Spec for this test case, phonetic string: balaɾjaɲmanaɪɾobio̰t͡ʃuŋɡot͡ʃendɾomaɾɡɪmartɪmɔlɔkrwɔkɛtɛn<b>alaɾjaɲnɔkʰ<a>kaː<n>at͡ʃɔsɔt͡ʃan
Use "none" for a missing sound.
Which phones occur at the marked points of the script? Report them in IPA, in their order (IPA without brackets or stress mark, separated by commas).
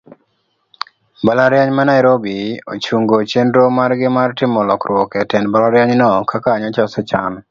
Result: b, a, ɲ